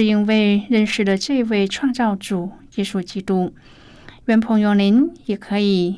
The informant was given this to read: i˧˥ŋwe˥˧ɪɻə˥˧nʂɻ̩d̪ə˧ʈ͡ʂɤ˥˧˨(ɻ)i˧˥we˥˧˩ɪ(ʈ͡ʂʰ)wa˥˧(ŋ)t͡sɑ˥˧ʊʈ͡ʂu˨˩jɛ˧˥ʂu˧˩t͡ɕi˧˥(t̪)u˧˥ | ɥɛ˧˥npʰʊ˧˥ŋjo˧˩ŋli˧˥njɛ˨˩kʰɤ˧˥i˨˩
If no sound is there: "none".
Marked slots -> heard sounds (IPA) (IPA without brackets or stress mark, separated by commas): none, ʈ͡ʂʰ, ŋ, t̪